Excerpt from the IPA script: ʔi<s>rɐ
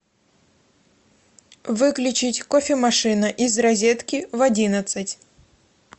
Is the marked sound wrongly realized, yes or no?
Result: yes